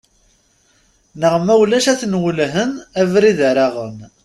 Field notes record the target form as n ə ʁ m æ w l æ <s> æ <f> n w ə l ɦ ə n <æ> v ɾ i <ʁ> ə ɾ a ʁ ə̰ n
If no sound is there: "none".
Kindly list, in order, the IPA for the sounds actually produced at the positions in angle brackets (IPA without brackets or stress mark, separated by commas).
ʃ, θ, æ, ð